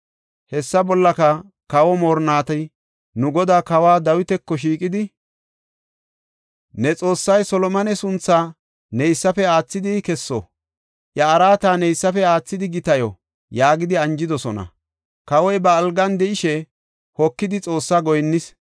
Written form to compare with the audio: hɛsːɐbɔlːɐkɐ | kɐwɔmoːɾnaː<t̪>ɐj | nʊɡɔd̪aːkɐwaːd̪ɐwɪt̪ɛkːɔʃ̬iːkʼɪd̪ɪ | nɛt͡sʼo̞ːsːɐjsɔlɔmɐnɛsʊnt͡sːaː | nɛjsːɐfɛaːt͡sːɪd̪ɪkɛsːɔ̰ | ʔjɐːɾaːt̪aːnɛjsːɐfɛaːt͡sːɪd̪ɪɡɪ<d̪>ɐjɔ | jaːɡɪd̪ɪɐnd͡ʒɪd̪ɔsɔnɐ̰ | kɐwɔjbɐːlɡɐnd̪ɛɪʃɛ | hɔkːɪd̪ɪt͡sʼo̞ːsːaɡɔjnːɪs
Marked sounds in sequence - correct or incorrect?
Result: correct, incorrect: t̪

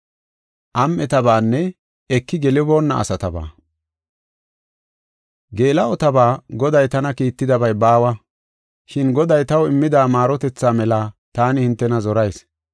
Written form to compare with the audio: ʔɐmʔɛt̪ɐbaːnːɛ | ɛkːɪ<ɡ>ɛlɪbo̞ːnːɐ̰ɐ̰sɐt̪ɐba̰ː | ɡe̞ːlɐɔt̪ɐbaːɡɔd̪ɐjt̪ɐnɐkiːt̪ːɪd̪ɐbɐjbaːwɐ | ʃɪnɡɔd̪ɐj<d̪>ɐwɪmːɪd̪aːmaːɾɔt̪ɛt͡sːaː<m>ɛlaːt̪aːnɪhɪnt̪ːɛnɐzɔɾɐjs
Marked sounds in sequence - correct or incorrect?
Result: correct, incorrect: t̪, correct

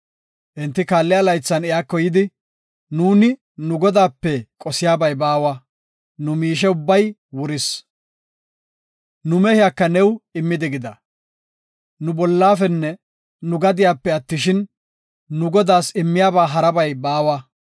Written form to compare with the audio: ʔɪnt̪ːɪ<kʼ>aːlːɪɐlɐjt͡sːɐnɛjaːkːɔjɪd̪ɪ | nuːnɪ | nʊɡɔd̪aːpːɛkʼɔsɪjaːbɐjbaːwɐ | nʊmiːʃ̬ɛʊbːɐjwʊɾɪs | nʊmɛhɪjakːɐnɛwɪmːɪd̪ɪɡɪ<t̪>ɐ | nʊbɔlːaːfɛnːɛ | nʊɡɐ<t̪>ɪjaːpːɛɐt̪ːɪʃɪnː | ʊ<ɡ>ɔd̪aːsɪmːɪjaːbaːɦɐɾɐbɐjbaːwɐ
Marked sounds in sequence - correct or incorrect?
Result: incorrect: k, incorrect: d̪, incorrect: d̪, correct

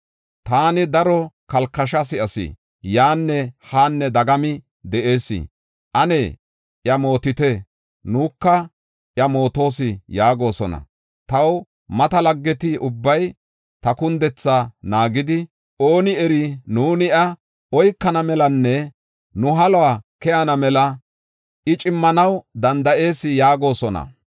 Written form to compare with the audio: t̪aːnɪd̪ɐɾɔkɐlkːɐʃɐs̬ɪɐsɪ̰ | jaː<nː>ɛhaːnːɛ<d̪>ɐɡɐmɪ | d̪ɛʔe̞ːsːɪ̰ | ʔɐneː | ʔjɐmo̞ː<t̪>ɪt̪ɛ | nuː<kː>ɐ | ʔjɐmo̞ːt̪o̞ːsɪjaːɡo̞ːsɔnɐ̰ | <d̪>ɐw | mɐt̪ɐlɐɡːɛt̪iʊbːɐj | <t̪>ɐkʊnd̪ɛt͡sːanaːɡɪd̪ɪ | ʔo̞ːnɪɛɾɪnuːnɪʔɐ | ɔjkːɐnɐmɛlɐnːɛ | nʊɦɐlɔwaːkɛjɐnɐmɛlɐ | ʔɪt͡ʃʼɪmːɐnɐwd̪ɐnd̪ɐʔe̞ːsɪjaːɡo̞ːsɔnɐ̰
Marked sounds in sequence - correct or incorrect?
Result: correct, correct, correct, correct, incorrect: t̪, correct

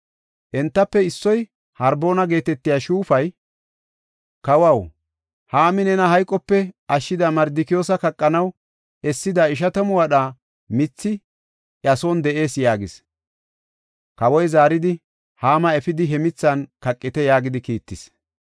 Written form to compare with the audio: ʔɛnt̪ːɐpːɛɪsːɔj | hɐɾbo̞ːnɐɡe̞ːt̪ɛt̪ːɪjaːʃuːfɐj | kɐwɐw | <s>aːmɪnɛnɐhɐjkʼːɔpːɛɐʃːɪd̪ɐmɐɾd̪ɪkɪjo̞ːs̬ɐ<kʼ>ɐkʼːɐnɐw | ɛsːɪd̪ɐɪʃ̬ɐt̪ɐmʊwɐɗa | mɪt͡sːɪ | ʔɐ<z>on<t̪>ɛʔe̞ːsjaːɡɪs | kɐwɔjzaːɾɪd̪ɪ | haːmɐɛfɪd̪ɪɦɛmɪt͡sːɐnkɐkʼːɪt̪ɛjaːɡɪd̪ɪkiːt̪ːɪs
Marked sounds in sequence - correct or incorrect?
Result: incorrect: h, incorrect: k, incorrect: s, incorrect: d̪

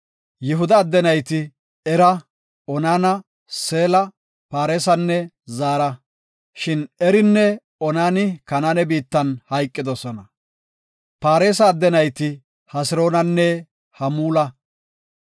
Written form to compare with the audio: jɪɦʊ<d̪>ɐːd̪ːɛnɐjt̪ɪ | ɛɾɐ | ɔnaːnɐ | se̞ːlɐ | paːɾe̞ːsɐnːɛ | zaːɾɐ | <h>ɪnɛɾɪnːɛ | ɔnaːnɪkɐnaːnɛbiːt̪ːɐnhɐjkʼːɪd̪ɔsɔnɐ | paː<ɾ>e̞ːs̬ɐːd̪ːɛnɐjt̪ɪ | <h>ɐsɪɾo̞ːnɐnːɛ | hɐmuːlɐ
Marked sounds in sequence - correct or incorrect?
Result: correct, incorrect: ʃ, correct, correct

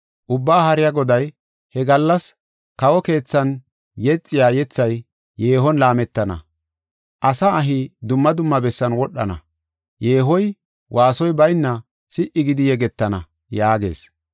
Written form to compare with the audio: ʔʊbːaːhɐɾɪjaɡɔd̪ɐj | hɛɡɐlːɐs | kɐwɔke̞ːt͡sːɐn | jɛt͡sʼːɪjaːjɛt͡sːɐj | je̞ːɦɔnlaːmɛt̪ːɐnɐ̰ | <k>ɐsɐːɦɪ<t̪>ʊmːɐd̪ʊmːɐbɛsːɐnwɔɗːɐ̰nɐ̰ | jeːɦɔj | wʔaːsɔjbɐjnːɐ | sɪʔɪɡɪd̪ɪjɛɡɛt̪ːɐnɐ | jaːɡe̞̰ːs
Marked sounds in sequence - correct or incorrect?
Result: incorrect: ʔ, incorrect: d̪

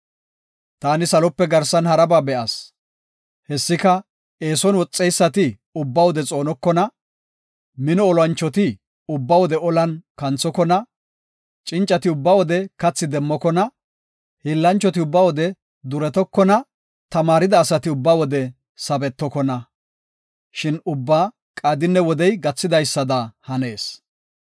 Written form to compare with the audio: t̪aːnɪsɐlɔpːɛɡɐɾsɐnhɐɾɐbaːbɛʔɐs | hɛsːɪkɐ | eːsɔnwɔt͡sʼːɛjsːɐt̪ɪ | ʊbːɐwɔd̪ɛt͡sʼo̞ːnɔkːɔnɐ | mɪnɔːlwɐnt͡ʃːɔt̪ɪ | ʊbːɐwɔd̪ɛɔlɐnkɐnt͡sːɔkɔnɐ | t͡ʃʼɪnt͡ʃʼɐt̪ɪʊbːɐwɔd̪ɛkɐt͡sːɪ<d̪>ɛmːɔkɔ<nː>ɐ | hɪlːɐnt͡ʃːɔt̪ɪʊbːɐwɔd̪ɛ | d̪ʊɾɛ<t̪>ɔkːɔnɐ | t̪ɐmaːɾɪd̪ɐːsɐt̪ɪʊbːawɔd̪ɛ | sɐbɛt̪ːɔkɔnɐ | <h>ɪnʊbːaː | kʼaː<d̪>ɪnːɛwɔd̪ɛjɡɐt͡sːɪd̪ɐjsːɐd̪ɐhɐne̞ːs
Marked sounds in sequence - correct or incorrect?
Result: correct, incorrect: n, correct, incorrect: ʃ, correct

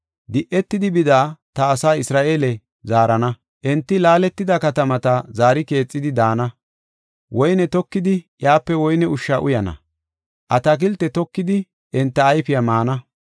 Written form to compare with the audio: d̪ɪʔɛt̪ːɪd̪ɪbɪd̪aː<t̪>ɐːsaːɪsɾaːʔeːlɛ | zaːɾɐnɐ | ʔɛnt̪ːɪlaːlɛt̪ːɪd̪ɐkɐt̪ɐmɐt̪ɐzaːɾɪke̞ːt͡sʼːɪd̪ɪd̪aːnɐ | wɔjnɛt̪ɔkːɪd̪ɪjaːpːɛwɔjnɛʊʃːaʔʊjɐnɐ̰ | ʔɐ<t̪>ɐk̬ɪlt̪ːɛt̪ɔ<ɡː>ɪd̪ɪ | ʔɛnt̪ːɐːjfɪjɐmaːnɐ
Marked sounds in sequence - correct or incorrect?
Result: correct, correct, incorrect: kː

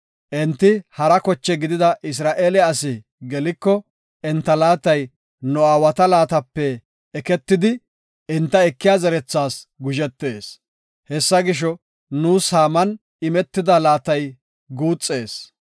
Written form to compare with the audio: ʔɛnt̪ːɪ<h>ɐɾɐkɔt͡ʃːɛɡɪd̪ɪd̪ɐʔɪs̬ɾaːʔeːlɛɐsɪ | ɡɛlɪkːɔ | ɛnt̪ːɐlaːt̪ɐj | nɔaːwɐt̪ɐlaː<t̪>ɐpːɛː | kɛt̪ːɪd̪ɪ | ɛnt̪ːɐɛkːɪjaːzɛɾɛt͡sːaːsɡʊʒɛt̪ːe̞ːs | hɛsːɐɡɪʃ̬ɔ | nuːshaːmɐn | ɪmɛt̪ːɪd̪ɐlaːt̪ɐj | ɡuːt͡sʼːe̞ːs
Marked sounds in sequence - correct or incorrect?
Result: correct, correct

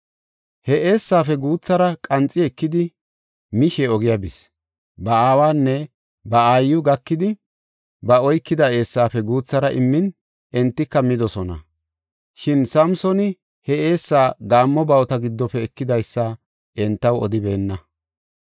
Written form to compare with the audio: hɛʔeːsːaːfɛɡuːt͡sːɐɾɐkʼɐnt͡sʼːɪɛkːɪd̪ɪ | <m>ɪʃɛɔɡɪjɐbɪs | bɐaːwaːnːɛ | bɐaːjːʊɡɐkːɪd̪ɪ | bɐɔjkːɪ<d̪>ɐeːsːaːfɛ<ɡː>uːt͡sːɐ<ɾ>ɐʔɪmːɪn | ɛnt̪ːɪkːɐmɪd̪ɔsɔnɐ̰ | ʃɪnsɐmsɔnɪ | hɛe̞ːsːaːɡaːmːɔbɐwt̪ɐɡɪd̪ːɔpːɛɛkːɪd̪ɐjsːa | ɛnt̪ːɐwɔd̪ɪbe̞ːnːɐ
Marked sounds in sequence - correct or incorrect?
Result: correct, correct, incorrect: ɡ, correct

